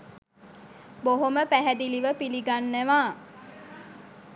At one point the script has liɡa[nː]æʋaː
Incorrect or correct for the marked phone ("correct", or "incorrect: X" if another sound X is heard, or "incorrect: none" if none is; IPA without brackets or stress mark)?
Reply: correct